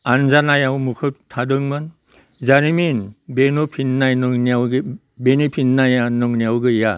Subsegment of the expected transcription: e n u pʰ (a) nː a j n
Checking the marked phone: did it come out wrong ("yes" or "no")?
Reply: yes